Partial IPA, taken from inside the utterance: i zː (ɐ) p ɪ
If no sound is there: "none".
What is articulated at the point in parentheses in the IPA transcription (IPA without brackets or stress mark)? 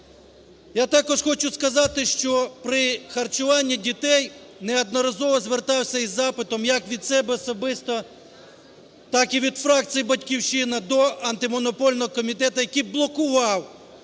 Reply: ɑ